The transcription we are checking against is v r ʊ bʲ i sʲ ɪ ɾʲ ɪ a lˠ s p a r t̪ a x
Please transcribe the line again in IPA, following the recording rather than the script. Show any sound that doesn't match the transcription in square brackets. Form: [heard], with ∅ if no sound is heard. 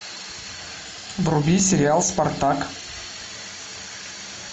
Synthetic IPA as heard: v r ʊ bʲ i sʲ ɪ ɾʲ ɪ a lˠ s p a r t̪ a [k]